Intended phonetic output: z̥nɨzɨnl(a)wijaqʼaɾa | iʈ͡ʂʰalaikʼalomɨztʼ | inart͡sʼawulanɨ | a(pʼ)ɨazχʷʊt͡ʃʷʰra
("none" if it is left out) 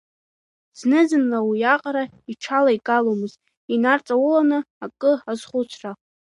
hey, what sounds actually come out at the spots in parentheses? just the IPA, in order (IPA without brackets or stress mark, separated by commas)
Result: a, kʼ